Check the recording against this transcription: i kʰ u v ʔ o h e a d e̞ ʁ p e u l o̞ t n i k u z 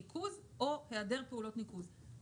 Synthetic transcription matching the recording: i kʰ u z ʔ o h e a d e̞ ʁ p e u l o̞ t n i k u z